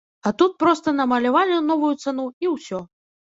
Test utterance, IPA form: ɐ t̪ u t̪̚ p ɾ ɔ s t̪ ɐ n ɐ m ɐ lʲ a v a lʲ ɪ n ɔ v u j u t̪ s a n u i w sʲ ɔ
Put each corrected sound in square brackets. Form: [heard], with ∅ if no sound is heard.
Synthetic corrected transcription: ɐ t̪ u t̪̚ p ɾ ɔ s t̪ ɐ n ɐ m ɐ lʲ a v a lʲ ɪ n ɔ v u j u t̪ s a n u i w sʲ ɔ

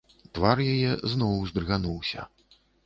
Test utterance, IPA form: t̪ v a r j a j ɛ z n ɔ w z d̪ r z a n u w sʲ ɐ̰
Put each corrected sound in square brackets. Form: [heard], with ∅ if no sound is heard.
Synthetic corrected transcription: t̪ v a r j a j ɛ z n ɔ w z d̪ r [ɣ] a n u w sʲ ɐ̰

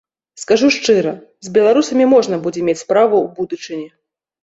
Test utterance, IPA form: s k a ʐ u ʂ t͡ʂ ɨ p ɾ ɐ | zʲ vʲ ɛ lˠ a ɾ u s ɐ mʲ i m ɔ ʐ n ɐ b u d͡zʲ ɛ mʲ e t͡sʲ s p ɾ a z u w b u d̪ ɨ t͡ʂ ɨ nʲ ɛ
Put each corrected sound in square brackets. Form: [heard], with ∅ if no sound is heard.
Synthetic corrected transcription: s k a ʐ u ʂ t͡ʂ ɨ [∅] ɾ ɐ | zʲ [bʲ] ɛ lˠ a ɾ u s ɐ mʲ i m ɔ ʐ n ɐ b u d͡zʲ ɛ mʲ e t͡sʲ s p ɾ a [v] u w b u d̪ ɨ t͡ʂ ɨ nʲ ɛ

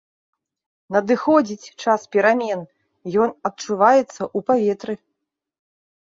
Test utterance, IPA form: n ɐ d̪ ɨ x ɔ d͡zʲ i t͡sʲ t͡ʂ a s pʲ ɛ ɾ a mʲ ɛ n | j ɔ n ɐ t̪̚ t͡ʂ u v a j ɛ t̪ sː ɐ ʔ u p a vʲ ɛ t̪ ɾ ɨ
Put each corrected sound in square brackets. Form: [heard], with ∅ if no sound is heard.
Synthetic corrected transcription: n ɐ d̪ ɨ x ɔ d͡zʲ i t͡sʲ t͡ʂ a s pʲ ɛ ɾ a mʲ ɛ n | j ɔ n ɐ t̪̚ t͡ʂ u v a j ɛ t̪ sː ɐ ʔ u p a vʲ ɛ t̪ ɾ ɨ

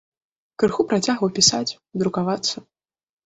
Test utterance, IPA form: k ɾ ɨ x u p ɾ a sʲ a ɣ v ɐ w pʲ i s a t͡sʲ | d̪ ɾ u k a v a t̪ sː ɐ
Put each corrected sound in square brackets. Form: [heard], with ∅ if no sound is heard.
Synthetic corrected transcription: k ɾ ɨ x u p ɾ a [t͡sʲ] a ɣ v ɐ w pʲ i s a t͡sʲ | d̪ ɾ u k a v a t̪ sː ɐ

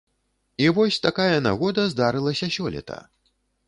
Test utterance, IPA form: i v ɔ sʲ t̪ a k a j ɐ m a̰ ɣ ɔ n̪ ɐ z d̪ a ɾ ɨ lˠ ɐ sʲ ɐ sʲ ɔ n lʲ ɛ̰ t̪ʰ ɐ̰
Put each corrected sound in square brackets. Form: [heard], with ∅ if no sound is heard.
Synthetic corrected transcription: i v ɔ sʲ t̪ a k a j ɐ [n] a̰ ɣ ɔ [d̪] ɐ z d̪ a ɾ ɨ lˠ ɐ sʲ ɐ sʲ ɔ [∅] lʲ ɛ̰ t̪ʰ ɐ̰

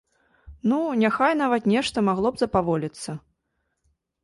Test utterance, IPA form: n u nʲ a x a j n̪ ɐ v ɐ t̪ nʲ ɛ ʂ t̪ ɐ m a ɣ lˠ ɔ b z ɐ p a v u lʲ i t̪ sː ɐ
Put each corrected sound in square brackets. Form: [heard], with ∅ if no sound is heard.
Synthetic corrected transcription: n u nʲ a x a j n̪ [a] v ɐ t̪ nʲ ɛ ʂ t̪ ɐ m a ɣ lˠ ɔ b z ɐ p a v [ɔ] lʲ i t̪ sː ɐ

